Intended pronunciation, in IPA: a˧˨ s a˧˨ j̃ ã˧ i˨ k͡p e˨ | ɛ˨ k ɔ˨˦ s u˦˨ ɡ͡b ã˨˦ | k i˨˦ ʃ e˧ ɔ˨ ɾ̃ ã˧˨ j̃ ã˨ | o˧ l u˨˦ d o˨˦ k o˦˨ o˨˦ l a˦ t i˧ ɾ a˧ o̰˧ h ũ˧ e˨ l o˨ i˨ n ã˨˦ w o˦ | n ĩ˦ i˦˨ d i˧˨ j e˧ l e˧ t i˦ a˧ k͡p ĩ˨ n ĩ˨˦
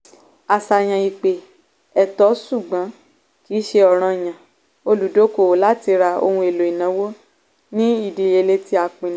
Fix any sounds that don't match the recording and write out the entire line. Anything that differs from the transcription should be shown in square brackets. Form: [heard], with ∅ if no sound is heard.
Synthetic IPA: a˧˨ s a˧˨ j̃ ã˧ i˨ k͡p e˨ | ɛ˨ [t] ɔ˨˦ s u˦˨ ɡ͡b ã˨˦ | k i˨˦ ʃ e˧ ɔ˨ ɾ̃ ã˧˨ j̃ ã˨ | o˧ l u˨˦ d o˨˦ k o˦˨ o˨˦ l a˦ t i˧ ɾ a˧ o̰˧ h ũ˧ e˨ l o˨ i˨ n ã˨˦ w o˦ | n ĩ˦ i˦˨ d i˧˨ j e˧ l e˧ t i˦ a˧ k͡p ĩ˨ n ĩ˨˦